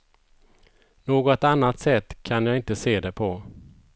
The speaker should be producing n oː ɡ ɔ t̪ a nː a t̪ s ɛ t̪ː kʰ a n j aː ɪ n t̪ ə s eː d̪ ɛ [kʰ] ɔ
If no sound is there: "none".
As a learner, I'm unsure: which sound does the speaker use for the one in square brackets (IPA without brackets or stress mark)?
pʰ